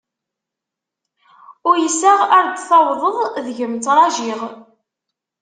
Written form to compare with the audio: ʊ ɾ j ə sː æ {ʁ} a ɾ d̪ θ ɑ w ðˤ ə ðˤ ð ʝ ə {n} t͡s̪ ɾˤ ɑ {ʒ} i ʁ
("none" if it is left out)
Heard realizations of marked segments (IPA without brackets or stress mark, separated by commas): ʁ, m, ʒ